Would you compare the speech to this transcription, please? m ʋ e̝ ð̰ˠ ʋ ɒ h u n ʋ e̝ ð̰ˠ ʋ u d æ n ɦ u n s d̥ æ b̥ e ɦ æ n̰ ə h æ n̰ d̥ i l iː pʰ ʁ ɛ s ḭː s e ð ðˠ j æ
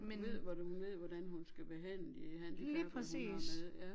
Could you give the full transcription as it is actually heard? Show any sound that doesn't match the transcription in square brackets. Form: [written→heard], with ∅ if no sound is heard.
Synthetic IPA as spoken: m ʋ e̝ ð̰ˠ ʋ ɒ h u n ʋ e̝ ð̰ˠ ʋ [u→ɒ] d æ n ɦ u n s [d̥→ɡ̥] æ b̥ e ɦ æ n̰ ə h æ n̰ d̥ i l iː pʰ ʁ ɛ s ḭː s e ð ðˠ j æ